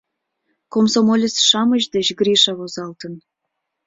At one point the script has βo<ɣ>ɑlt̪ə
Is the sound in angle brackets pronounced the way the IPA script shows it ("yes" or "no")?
no